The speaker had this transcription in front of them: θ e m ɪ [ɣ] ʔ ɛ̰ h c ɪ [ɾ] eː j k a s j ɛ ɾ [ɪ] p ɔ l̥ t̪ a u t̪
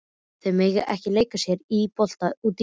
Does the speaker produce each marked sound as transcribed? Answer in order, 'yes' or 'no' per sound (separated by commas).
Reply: yes, no, no